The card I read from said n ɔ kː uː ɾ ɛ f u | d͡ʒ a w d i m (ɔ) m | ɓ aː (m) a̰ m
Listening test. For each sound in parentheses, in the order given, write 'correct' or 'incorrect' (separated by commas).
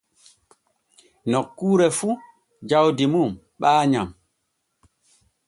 incorrect, incorrect